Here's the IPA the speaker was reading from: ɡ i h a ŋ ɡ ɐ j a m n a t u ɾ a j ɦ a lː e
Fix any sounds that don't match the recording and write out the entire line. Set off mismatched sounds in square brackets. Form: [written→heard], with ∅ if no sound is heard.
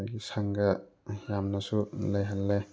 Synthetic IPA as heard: ɡ i [h→s] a ŋ ɡ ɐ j a m n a [t→s] u [ɾ→l] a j ɦ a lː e

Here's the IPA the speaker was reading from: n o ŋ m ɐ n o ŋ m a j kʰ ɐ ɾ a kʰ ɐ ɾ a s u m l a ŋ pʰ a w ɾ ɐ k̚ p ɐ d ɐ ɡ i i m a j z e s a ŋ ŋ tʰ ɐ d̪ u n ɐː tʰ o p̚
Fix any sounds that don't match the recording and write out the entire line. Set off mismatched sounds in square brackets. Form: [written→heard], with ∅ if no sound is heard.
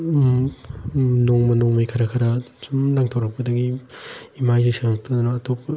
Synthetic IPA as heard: n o ŋ m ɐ n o ŋ m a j kʰ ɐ ɾ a kʰ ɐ ɾ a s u m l a ŋ [pʰ→tʰ] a w ɾ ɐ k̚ p ɐ d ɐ ɡ i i m a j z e s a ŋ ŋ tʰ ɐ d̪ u n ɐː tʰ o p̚

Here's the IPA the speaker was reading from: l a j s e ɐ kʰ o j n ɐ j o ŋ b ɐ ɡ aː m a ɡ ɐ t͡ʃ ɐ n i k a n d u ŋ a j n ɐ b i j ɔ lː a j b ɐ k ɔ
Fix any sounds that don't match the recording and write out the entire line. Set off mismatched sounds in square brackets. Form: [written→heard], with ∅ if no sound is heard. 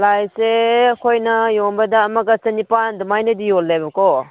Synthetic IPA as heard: l a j s e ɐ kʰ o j n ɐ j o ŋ b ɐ [ɡ→d] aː m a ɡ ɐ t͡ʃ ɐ n i [k→p] a n d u [ŋ→m] a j n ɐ [b→d] i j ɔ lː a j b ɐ k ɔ

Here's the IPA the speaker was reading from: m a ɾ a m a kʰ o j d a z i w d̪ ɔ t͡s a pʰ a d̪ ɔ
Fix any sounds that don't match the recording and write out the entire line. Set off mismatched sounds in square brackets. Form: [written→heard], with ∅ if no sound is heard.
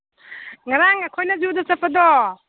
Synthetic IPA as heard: [m→ŋ] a ɾ a [m→ŋ] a kʰ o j [d→n] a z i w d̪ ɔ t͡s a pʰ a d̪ ɔ

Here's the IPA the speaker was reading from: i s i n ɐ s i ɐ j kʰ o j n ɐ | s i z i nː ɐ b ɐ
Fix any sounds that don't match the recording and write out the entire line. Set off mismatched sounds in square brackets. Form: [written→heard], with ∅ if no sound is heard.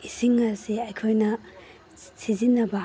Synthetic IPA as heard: i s i [n→ŋ] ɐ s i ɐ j kʰ o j n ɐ | s i z i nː ɐ b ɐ

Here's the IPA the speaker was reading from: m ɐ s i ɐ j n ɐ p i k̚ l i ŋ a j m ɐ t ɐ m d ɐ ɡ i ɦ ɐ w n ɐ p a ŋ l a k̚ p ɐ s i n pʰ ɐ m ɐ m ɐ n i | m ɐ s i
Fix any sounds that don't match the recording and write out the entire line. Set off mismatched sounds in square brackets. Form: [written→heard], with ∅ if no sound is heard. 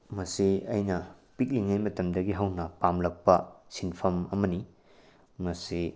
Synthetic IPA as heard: m ɐ s i ɐ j n ɐ p i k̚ l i ŋ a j m ɐ t ɐ m d ɐ ɡ i ɦ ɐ w n ɐ p a [ŋ→m] l [a→ɐ] k̚ p ɐ s i n pʰ ɐ m ɐ m ɐ n i | m ɐ s i

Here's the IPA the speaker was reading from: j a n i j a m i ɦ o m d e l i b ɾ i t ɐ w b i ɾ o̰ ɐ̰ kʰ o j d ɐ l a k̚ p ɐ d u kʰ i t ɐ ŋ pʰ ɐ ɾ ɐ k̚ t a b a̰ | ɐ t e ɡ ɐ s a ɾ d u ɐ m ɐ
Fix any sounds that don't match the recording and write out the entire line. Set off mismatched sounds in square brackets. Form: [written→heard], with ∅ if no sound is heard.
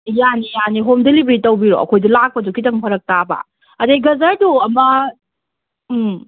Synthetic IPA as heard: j a n i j a [m→n] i ɦ o m d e l i b ɾ i t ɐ w b i ɾ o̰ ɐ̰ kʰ o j d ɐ l a k̚ p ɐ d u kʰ i t ɐ ŋ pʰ ɐ ɾ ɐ k̚ t a b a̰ | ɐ [t→d] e ɡ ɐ [s→z] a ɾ d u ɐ m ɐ

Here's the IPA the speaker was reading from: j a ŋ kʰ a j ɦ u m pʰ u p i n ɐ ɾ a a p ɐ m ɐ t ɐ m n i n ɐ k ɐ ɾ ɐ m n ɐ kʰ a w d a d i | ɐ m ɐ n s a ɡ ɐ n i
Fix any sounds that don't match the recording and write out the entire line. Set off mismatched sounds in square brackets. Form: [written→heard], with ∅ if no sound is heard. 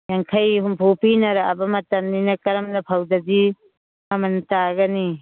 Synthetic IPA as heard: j a ŋ kʰ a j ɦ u m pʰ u p i n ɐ ɾ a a [p→b] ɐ m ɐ t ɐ m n i n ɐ k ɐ ɾ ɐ m n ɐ [kʰ→pʰ] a w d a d i | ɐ m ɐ n [s→t] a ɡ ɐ n i

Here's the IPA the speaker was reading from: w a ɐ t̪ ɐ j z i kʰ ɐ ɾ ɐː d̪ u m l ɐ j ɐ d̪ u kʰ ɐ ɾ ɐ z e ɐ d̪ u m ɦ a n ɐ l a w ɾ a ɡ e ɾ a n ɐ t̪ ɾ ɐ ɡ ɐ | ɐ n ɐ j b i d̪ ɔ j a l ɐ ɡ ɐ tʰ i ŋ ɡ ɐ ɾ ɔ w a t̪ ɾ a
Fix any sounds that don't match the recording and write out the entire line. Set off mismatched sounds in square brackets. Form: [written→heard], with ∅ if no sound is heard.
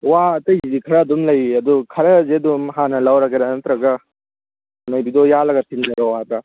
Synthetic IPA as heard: w a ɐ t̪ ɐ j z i kʰ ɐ ɾ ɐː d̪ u m l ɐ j ɐ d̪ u kʰ ɐ ɾ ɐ z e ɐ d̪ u m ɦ a n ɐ l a w ɾ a ɡ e ɾ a n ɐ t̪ ɾ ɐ ɡ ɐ | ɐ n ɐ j b i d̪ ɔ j a l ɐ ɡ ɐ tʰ i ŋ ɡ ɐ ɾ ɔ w a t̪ ɾ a

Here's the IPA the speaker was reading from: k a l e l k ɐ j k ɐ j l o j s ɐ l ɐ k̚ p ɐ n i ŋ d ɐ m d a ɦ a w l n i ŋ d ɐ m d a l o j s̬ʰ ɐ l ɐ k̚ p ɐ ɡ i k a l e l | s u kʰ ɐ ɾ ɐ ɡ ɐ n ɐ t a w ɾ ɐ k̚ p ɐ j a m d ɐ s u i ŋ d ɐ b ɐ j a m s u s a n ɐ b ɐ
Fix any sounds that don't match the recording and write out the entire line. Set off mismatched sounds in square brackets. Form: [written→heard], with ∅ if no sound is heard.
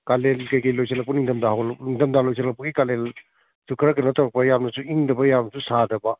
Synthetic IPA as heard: k a l e l k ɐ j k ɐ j l o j s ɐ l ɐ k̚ p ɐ n i ŋ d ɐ m d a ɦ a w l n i ŋ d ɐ m d a l o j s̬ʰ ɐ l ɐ k̚ p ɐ ɡ i k a l e l | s u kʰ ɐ ɾ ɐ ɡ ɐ n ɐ t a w ɾ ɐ k̚ p ɐ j a m [d→n] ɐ s u i ŋ d ɐ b ɐ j a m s u s a [n→d] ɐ b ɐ

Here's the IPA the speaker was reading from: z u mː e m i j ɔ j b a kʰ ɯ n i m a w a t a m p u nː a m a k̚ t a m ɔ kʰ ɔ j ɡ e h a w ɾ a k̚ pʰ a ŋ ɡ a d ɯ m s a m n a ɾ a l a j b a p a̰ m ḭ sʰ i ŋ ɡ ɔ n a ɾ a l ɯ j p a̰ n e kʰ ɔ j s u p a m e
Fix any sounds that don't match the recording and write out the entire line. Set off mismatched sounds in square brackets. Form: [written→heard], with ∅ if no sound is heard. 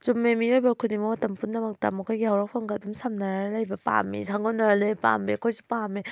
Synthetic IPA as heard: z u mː e m i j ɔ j b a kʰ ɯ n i m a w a t a m p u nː a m a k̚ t a m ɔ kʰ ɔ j ɡ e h a w ɾ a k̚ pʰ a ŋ ɡ a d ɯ m s a m n a ɾ a l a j b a p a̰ m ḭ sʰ [i→a] ŋ ɡ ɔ n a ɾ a l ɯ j p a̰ [n→m] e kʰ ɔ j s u p a m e

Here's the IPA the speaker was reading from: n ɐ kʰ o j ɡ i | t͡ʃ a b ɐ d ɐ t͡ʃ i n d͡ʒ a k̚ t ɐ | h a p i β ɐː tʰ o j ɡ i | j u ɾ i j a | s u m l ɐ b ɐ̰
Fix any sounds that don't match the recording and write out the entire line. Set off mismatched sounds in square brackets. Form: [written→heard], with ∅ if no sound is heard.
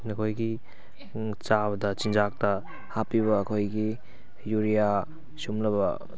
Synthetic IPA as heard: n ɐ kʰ o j ɡ i | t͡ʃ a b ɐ d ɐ t͡ʃ i n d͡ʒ a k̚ t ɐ | h a p i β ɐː [tʰ→kʰ] o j ɡ i | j u ɾ i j a | s u m l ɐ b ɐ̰

